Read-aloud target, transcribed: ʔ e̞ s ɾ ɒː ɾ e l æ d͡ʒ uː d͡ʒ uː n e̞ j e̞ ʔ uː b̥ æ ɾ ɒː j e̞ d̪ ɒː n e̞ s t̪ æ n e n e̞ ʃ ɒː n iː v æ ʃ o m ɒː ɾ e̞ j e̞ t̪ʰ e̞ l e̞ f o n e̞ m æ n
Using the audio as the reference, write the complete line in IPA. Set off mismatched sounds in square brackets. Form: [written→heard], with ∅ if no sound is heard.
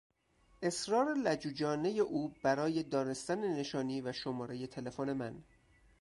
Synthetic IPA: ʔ e̞ s ɾ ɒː ɾ e l æ d͡ʒ uː d͡ʒ [uː→ɒː] n e̞ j e̞ ʔ uː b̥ æ ɾ ɒː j e̞ d̪ ɒː n e̞ s t̪ æ n e n e̞ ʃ ɒː n iː v æ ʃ o m ɒː ɾ e̞ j e̞ t̪ʰ e̞ l e̞ f o n e̞ m æ n